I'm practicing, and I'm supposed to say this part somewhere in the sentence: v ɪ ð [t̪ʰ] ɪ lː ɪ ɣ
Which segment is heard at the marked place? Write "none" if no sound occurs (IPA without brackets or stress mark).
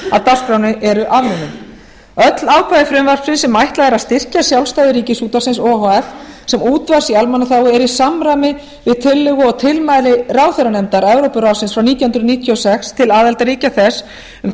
t̪ʰ